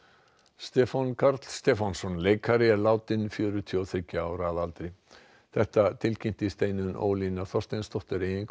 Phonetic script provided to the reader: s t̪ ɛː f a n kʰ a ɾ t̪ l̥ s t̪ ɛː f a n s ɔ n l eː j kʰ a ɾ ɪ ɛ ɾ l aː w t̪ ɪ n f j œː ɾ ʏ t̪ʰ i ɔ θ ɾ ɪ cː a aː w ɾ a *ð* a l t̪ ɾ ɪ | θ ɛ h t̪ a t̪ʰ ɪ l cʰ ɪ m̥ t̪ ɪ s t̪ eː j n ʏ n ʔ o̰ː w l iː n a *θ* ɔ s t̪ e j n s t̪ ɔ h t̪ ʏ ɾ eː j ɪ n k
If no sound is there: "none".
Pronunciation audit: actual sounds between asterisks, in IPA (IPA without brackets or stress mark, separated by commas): ð, θ